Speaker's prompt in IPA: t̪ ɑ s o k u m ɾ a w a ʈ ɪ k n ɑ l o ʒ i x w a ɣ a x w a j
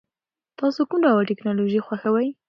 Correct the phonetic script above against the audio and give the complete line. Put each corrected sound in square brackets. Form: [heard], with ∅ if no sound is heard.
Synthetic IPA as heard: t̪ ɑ s o k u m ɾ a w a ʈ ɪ k n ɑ l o ʒ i x w a [x] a [∅] w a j

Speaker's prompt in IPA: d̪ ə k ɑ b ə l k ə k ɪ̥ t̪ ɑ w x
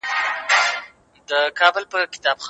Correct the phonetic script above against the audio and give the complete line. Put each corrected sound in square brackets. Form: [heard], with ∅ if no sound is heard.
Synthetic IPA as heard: d̪ ə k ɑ b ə l [p] ə k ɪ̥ t̪ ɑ [b] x

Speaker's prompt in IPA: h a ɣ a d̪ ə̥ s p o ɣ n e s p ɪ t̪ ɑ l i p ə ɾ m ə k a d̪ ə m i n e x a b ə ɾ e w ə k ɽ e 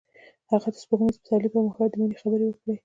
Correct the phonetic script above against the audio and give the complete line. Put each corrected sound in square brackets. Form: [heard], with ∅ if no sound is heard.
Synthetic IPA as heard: h a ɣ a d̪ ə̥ s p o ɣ n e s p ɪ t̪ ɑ l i p ə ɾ m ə [x] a d̪ ə m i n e x a b ə ɾ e w ə k ɽ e

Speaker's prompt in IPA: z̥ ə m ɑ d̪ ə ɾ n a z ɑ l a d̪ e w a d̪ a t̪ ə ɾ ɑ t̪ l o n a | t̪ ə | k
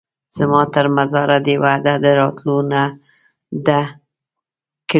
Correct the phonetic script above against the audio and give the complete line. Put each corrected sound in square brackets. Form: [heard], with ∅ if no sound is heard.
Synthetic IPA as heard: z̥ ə m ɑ [t̪] ə ɾ [m] a z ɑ [ɾ] a d̪ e w a d̪ a [d̪] ə ɾ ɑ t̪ l o n a | [d̪] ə | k

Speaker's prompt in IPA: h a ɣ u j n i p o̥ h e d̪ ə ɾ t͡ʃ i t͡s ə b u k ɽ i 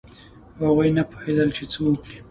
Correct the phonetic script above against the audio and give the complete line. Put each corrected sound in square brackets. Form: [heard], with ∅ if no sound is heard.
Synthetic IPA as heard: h a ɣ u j n [a] p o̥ h e d̪ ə [l] t͡ʃ [e] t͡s ə [w] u k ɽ i

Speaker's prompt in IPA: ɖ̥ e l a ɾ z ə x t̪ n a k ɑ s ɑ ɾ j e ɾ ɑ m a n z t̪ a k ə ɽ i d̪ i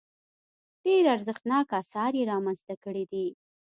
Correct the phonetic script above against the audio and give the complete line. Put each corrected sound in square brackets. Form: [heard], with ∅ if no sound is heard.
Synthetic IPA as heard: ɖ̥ e [ɾ] a ɾ z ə x t̪ n [ɑ] k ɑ s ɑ ɾ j e ɾ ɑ m a n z t̪ a k ə ɽ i d̪ i

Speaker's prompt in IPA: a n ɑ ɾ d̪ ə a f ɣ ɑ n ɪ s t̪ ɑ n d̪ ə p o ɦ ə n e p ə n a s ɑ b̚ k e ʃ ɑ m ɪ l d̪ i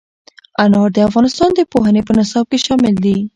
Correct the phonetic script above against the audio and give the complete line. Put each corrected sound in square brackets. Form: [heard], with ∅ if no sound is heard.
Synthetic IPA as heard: a n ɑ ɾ d̪ ə a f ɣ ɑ n ɪ s t̪ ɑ n d̪ ə p o ɦ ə n e p ə n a s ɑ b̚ k e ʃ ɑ m ɪ l d̪ i

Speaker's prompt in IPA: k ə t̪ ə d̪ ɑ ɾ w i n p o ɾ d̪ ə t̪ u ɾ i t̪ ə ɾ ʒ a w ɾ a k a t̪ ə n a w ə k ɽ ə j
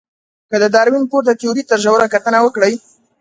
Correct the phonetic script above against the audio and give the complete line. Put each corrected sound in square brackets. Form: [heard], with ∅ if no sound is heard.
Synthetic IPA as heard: k ə [d̪] ə d̪ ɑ ɾ w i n p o ɾ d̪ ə t̪ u ɾ i t̪ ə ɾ ʒ a w ɾ a k a t̪ ə n a w ə k ɽ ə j

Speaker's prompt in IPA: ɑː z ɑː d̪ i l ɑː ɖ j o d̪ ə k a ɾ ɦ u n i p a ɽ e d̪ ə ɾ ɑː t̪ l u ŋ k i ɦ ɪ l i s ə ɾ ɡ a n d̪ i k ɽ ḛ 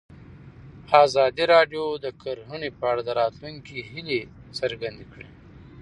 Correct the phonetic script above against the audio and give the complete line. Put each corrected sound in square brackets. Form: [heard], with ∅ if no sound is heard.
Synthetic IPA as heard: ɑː z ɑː d̪ i [ɾ] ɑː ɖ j o d̪ ə k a ɾ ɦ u n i p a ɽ [a] d̪ ə ɾ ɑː t̪ l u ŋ k i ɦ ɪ l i s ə ɾ ɡ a n d̪ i k ɽ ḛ

